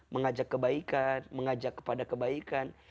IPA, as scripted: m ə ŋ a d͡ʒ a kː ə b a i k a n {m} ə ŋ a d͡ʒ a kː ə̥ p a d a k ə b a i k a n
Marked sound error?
no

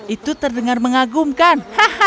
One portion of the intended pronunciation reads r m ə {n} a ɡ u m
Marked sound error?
yes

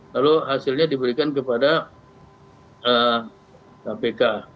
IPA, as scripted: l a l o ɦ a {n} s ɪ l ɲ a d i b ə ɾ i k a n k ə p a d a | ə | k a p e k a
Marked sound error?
yes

